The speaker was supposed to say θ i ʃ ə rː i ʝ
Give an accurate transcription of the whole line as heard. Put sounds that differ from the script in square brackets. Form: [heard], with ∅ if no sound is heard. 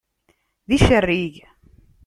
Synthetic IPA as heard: [ð] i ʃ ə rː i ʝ